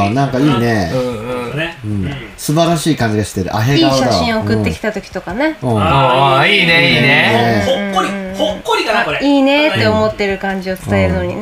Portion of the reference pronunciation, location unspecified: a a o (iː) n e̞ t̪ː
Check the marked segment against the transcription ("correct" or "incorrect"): correct